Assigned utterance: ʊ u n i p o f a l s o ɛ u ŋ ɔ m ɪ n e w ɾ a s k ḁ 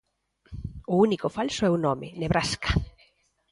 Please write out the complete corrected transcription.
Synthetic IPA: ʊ u n i k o f a l s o ɛ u n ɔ m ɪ n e β ɾ a s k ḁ